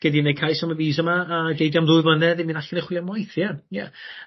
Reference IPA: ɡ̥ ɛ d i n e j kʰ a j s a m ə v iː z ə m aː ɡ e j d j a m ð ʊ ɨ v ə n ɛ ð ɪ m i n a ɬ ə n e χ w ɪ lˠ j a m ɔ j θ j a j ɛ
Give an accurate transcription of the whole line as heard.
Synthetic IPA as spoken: ɡ̥ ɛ d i n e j kʰ a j s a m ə v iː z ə m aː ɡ e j d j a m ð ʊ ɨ v ə n ɛ ð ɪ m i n a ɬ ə n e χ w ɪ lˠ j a m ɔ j θ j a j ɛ